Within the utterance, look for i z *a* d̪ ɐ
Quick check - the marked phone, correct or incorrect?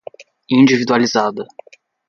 correct